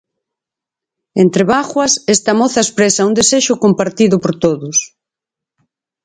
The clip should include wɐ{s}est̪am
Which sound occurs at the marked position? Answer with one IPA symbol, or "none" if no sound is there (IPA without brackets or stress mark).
s